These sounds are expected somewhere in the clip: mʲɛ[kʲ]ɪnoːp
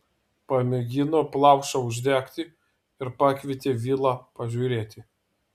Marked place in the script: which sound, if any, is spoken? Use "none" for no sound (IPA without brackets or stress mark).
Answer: ɡʲ